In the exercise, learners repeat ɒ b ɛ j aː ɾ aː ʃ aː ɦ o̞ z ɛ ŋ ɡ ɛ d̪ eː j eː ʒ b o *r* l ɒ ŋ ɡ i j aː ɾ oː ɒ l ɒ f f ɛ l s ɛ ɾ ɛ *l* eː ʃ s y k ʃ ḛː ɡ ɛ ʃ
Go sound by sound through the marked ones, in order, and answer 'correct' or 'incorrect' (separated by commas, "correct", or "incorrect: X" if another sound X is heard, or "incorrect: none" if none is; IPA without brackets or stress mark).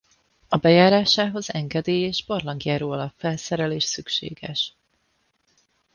correct, correct